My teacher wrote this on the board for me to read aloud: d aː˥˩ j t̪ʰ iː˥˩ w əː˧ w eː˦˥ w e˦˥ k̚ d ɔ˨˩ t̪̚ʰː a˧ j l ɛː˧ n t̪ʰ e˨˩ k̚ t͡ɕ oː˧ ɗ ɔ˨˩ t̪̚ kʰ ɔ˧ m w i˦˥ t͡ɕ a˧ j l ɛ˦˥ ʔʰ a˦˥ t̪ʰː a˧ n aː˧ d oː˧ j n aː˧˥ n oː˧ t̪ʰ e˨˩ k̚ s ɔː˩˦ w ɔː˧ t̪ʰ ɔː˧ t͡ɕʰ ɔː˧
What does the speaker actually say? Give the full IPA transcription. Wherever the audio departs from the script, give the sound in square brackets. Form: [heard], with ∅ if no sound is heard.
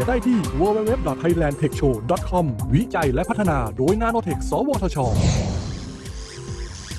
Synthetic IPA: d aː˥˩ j t̪ʰ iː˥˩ w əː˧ w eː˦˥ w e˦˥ [p̚] d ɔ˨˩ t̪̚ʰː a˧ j l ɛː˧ n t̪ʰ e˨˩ k̚ [t͡ɕʰ] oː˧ [d] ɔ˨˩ t̪̚ kʰ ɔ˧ m w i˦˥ t͡ɕ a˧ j l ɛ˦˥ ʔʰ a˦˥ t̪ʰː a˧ n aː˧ d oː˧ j n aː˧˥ n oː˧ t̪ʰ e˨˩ k̚ s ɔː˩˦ w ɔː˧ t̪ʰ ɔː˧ t͡ɕʰ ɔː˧

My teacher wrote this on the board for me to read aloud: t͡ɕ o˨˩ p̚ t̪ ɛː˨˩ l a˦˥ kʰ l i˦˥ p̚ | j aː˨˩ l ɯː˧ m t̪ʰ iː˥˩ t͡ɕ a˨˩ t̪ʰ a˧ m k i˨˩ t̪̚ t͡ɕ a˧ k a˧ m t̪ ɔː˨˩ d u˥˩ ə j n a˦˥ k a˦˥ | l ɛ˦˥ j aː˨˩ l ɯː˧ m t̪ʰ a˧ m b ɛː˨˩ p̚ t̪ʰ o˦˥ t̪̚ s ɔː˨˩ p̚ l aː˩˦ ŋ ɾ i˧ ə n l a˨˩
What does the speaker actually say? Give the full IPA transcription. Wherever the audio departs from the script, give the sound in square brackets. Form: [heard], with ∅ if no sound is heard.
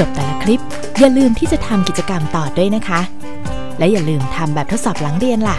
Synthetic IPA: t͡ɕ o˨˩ p̚ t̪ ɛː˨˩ l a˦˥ kʰ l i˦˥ p̚ | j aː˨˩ l ɯː˧ m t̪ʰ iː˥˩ t͡ɕ a˨˩ t̪ʰ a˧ m k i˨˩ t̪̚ t͡ɕ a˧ k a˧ m t̪ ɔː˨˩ d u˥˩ ə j n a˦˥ [kʰ] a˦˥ | l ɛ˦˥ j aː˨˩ l ɯː˧ m t̪ʰ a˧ m b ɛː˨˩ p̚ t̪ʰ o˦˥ t̪̚ s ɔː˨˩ p̚ l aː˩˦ ŋ ɾ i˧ ə n l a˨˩

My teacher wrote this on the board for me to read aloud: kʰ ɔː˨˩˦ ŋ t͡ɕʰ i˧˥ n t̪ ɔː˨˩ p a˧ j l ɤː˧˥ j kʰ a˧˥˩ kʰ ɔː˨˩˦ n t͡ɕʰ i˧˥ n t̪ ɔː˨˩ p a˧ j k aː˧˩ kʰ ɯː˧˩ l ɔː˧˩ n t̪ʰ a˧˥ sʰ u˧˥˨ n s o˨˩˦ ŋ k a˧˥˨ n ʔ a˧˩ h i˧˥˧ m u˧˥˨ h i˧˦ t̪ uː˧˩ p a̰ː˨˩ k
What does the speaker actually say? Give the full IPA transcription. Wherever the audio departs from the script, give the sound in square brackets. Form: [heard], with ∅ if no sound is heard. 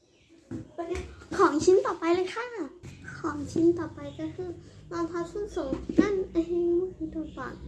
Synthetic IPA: kʰ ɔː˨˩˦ ŋ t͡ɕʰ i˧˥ n t̪ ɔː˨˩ p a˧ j l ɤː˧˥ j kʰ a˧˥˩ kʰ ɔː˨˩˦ [ŋ] t͡ɕʰ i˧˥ n t̪ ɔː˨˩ p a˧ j k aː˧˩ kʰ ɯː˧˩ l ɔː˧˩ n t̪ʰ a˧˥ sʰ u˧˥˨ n s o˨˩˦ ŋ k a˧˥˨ n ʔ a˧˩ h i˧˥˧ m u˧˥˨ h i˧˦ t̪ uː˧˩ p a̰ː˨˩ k

